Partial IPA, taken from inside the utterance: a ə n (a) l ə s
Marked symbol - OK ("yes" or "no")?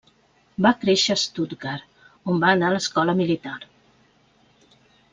yes